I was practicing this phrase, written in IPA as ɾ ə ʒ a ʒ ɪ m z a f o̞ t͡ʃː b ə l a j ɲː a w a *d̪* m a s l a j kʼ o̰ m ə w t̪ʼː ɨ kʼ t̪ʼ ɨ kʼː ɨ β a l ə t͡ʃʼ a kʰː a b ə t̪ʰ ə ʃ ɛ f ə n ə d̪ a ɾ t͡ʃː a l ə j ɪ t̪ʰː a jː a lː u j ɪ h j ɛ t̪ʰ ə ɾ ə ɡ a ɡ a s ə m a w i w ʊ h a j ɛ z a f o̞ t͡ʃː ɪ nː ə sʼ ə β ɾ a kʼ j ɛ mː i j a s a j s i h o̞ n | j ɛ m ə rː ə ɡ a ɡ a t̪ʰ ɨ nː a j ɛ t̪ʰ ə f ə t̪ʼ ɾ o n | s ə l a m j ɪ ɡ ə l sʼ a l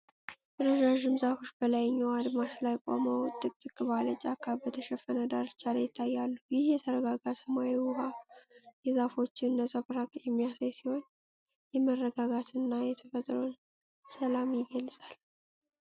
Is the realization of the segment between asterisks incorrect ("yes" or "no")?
no